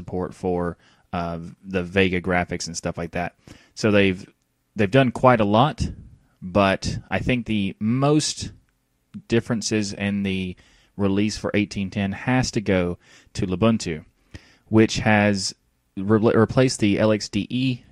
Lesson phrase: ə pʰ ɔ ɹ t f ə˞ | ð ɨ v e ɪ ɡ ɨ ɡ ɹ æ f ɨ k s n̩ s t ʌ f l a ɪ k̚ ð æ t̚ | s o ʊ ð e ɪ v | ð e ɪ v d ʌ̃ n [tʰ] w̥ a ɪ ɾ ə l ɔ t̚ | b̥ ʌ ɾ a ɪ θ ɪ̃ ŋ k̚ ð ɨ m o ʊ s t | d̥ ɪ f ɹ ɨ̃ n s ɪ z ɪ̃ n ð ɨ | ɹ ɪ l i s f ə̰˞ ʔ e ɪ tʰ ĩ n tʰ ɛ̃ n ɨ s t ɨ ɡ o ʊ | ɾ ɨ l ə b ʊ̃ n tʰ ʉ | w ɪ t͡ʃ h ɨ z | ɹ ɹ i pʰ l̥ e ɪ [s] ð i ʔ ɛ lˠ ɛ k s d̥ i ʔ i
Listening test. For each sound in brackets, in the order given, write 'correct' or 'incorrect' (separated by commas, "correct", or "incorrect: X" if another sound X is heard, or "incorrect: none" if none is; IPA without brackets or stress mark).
incorrect: kʰ, correct